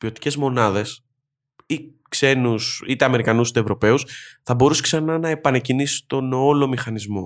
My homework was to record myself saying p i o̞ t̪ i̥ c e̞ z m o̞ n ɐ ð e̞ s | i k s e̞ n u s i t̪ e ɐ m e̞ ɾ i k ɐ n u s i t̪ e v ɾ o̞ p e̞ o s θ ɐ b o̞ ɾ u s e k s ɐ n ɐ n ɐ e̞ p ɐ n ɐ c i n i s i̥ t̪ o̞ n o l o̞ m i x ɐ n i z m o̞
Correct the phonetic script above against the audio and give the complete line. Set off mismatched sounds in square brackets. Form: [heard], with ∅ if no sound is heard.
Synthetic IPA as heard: p i o̞ t̪ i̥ c e̞ z m o̞ n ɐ ð e̞ s | i k s e̞ n u s i t̪ e ɐ m e̞ ɾ i k ɐ n u s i t̪ e v ɾ o̞ p e̞ [u] s θ ɐ b o̞ ɾ u s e k s ɐ n ɐ n ɐ e̞ p ɐ n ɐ c i n i s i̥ t̪ o̞ n o l o̞ m i x ɐ n i z m o̞